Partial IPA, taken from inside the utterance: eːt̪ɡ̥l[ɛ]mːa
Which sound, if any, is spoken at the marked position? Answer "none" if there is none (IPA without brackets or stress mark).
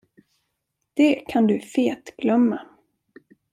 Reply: œ